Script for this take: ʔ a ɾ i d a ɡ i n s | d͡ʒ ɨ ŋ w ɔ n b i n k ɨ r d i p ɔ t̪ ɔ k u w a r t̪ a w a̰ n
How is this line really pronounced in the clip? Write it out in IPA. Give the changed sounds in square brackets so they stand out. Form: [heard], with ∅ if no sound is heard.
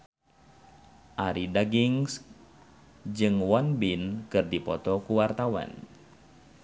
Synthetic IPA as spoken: ʔ a ɾ i d a ɡ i [ŋ] s | d͡ʒ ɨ ŋ w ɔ n b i n k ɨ r d i p ɔ t̪ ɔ k u w a r t̪ a w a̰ n